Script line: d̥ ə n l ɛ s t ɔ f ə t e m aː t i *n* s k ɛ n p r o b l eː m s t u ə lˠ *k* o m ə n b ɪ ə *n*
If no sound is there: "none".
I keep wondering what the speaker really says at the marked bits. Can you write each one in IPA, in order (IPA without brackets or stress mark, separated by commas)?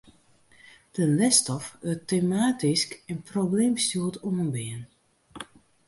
none, t, n